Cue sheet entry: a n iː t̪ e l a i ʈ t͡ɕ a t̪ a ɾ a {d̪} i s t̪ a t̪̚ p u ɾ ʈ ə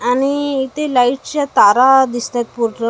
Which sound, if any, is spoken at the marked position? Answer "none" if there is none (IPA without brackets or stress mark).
d̪